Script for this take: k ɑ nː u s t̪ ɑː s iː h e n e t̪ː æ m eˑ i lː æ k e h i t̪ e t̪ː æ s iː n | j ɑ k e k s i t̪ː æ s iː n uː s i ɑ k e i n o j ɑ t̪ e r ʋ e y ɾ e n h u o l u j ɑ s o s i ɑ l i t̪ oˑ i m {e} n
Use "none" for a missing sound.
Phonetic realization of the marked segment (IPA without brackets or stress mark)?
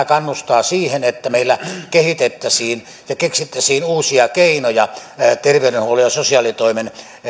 e